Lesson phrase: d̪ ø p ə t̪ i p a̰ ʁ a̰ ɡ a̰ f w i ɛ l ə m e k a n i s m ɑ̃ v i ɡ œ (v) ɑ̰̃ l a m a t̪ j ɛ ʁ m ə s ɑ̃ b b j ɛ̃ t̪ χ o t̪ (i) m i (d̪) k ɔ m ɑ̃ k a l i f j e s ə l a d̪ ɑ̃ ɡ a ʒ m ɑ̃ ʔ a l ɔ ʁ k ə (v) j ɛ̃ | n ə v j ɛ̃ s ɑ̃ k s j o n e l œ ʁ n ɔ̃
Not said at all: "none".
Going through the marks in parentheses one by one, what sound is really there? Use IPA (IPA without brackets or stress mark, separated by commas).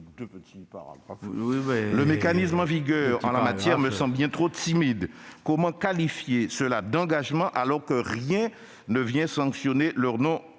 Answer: ʁ, i, d̪, ʁ